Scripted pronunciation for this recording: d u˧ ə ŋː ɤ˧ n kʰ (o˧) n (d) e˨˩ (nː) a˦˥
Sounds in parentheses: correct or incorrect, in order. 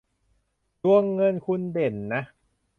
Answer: incorrect: u˧, correct, correct

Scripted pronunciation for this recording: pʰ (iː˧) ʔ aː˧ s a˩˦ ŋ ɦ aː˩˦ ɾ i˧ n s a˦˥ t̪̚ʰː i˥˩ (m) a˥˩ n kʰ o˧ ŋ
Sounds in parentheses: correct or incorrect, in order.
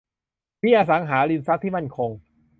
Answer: incorrect: iː˥˩, correct

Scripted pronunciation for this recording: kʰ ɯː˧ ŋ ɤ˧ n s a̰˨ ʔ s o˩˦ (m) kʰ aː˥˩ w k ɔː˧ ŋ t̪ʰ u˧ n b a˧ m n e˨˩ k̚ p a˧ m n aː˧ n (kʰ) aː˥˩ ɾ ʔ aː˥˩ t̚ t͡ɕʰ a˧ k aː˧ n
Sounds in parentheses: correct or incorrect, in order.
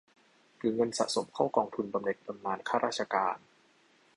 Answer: correct, correct

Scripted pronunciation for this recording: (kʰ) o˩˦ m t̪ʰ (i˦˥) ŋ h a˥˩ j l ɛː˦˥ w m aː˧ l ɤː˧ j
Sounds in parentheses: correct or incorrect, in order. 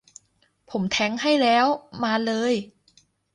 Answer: incorrect: pʰ, incorrect: ɛ˦˥

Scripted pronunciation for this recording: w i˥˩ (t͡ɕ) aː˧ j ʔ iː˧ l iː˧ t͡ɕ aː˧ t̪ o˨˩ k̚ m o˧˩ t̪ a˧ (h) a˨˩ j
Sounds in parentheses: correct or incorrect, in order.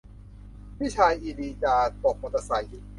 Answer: incorrect: t͡ɕʰ, incorrect: s

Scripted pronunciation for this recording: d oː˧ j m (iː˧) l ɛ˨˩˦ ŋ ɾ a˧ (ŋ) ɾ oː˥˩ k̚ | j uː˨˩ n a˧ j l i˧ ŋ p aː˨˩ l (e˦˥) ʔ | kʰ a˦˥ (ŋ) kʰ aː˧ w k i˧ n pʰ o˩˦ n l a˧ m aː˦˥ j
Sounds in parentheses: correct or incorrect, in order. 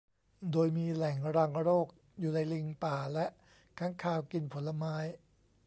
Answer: correct, correct, incorrect: ɛ˦˥, correct

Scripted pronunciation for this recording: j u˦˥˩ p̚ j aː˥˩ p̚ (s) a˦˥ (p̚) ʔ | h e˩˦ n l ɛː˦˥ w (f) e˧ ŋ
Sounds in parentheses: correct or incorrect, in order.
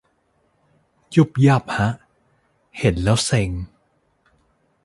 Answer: incorrect: h, incorrect: none, incorrect: s

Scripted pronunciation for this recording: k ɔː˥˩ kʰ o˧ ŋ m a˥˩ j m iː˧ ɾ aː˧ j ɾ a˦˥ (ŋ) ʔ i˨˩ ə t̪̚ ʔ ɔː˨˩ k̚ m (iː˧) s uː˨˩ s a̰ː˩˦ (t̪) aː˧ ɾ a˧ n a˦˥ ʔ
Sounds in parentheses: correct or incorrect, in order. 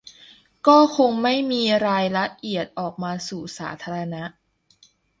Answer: incorrect: none, incorrect: aː˧, incorrect: t̪ʰ

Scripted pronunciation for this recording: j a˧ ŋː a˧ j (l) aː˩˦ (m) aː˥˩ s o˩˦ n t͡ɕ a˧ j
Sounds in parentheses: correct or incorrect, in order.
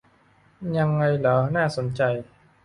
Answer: correct, incorrect: n

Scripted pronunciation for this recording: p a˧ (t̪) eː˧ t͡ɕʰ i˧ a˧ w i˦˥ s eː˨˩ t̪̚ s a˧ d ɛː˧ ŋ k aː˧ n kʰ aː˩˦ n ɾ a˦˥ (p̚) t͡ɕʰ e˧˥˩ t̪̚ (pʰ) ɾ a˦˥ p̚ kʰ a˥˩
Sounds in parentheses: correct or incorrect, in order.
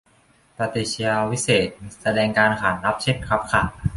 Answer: correct, correct, incorrect: kʰ

